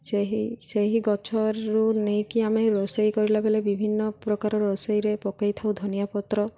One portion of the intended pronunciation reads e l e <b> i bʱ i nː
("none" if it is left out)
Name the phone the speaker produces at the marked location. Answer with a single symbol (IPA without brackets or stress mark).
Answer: b